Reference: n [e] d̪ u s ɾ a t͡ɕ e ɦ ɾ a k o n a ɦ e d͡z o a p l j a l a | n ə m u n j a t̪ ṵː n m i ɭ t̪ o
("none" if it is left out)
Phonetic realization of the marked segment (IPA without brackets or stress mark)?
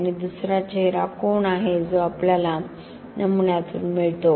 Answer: i